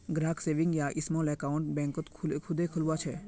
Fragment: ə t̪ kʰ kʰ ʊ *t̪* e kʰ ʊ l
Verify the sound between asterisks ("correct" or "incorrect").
incorrect